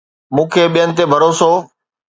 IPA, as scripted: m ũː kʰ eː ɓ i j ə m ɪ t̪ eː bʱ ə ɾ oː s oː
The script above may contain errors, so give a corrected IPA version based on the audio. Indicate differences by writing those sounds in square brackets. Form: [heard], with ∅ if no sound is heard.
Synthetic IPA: m ũː kʰ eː ɓ i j ə [n] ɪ t̪ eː bʱ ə ɾ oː s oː